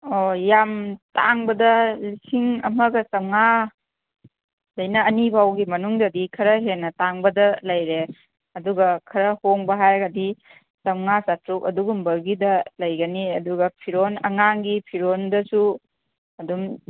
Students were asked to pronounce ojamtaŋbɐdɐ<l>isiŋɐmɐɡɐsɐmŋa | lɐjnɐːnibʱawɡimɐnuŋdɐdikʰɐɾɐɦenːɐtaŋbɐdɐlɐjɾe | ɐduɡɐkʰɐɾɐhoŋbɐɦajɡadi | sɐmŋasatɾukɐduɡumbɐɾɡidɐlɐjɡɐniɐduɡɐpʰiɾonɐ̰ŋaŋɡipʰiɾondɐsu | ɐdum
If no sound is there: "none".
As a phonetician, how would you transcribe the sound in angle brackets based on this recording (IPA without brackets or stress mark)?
l